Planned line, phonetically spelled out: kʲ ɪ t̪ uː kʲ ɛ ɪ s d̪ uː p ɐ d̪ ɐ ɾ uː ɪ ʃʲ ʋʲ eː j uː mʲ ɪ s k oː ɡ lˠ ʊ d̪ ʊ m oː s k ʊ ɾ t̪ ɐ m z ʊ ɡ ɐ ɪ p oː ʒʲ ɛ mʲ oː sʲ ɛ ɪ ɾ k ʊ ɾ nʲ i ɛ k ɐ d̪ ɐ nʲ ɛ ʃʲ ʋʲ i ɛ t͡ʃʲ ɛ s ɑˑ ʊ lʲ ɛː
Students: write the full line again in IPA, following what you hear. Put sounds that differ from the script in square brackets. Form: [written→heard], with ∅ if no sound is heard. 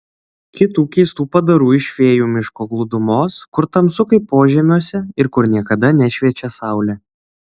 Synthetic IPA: kʲ ɪ t̪ uː kʲ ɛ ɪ s [d̪→t̪] uː p ɐ d̪ ɐ ɾ uː ɪ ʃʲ ʋʲ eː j uː mʲ ɪ [s→ʃ] k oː ɡ lˠ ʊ d̪ ʊ m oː s k ʊ ɾ t̪ ɐ m [z→s] ʊ [ɡ→k] ɐ ɪ p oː ʒʲ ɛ mʲ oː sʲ ɛ ɪ ɾ k ʊ ɾ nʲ i ɛ k ɐ d̪ ɐ nʲ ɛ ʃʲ ʋʲ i ɛ t͡ʃʲ ɛ s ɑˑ ʊ lʲ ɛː